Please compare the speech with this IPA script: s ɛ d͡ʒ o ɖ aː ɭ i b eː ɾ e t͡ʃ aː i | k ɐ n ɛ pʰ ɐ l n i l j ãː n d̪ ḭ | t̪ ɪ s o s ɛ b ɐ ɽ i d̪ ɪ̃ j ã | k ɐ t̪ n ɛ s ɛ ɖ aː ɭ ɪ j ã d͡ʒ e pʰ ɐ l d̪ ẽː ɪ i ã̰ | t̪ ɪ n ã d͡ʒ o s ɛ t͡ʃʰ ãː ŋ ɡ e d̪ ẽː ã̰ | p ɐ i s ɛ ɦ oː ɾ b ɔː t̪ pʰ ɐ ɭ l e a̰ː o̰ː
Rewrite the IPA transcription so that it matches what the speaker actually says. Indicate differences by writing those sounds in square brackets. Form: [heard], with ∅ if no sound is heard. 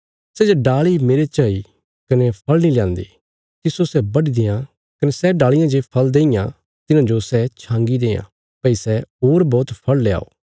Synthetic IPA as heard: s ɛ d͡ʒ o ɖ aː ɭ i [m] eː ɾ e t͡ʃ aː i | k ɐ n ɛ pʰ ɐ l n i l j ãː n d̪ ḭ | t̪ ɪ s o s ɛ b ɐ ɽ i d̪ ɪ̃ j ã | k ɐ [∅] n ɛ s ɛ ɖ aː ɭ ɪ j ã d͡ʒ e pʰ ɐ l d̪ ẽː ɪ [j] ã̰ | t̪ ɪ n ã d͡ʒ o s ɛ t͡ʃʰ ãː ŋ ɡ [i] d̪ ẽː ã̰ | p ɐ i s ɛ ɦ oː ɾ b ɔː t̪ pʰ ɐ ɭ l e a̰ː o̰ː